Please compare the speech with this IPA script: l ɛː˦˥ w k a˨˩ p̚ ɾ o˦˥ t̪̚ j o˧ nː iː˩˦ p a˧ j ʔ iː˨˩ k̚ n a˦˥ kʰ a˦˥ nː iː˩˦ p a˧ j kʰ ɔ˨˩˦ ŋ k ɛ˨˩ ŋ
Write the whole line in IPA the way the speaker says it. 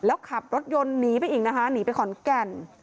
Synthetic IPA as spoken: l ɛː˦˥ w kʰ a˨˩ p̚ ɾ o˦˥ t̪̚ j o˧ nː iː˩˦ p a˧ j ʔ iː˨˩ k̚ n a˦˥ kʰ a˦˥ n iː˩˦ p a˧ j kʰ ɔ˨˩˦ n k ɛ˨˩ n